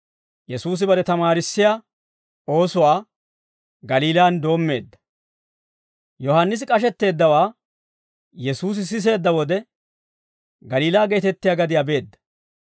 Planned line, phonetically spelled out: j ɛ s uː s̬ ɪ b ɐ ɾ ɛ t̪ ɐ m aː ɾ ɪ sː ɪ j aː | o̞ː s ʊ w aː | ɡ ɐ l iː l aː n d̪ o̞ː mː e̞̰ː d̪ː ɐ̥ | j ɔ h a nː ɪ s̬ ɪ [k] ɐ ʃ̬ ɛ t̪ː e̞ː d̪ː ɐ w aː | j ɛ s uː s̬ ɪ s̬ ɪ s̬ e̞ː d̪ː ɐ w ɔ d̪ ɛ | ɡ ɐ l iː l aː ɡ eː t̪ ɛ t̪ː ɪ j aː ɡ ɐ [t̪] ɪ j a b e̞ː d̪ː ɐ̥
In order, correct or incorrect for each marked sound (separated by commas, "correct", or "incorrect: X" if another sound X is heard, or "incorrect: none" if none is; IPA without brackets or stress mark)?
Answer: incorrect: kʼ, incorrect: d̪